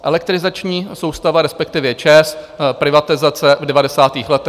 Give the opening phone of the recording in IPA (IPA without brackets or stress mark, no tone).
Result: ʔ